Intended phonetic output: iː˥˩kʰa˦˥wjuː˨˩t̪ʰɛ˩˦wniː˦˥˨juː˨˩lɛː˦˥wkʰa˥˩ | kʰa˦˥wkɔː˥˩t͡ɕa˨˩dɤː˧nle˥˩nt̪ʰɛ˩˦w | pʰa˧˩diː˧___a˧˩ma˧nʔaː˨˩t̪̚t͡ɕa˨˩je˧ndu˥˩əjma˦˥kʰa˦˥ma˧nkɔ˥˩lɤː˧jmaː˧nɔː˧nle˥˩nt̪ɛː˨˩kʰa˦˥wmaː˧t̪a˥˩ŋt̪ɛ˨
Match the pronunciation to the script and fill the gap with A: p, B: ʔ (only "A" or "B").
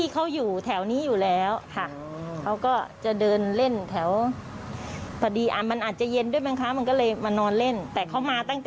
B